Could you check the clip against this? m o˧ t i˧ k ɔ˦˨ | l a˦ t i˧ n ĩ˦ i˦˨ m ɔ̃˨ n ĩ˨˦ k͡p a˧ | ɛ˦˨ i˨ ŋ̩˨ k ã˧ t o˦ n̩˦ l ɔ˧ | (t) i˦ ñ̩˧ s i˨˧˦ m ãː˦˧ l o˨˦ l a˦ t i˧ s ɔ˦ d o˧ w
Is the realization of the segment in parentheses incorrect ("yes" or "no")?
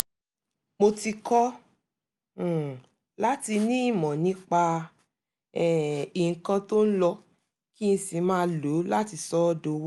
yes